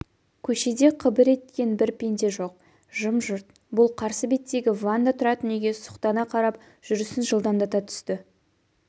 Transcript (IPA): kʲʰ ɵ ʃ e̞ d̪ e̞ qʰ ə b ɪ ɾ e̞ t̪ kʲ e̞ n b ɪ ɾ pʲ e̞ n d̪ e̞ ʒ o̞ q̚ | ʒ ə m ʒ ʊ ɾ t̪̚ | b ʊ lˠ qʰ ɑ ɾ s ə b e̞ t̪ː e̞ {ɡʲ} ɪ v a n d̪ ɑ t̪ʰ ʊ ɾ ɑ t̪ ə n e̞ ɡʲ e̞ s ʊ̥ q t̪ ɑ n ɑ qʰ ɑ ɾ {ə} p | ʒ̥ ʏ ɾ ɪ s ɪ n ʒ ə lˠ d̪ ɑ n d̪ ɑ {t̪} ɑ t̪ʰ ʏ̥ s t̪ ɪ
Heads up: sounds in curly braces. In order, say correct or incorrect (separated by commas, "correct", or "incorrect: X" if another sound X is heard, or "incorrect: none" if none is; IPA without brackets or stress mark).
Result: correct, incorrect: ɑ, correct